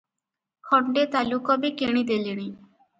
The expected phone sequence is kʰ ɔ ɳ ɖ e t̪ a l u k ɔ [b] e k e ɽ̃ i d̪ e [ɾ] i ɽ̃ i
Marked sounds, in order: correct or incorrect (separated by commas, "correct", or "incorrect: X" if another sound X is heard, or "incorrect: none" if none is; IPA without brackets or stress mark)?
correct, incorrect: l